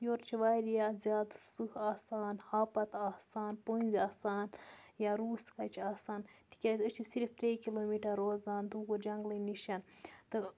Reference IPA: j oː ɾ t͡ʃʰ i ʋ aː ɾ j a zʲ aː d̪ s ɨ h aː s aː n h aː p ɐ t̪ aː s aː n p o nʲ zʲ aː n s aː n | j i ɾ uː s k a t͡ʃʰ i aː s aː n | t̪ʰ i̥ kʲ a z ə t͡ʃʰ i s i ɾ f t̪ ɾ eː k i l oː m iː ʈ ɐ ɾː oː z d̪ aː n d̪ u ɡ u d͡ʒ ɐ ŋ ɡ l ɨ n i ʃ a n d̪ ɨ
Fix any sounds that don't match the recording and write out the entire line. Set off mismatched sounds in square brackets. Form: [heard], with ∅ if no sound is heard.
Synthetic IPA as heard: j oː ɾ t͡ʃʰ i ʋ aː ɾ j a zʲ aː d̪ s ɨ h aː s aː n h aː p ɐ t̪ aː s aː n p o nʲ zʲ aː [∅] s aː n | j [a] ɾ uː s k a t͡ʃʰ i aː s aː n | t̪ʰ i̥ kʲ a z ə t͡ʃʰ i s i ɾ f t̪ ɾ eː k i l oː m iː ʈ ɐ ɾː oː z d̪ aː n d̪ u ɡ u d͡ʒ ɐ ŋ ɡ l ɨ n i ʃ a n [t̪] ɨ